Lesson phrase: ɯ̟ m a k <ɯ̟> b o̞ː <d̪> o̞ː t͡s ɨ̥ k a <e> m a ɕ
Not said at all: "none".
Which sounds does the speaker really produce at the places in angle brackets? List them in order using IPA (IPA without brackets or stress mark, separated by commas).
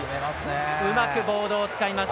ɯ̟, d̪, i